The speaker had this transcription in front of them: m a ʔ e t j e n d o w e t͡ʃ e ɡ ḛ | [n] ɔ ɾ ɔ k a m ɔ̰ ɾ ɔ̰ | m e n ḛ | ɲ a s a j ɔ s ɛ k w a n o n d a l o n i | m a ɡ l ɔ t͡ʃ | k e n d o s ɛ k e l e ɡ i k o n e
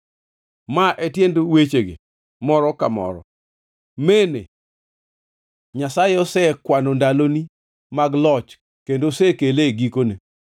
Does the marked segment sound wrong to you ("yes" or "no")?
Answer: yes